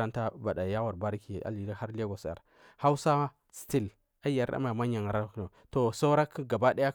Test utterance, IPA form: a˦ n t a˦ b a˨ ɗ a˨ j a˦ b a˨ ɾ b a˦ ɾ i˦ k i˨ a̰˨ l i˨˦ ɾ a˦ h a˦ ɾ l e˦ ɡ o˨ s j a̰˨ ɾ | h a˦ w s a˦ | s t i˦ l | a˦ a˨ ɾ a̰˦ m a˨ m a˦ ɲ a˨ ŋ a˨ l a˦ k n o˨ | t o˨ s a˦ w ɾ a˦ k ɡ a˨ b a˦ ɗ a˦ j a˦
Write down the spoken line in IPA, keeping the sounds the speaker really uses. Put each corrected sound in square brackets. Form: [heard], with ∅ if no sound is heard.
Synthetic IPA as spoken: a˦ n t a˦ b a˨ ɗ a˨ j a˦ [w] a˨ ɾ b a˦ ɾ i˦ k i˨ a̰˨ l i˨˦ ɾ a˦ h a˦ ɾ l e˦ ɡ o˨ s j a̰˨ ɾ | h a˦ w s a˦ | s t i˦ l | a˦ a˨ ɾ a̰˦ m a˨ m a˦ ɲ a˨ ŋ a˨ [ɾ] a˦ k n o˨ | t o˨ s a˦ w ɾ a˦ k ɡ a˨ b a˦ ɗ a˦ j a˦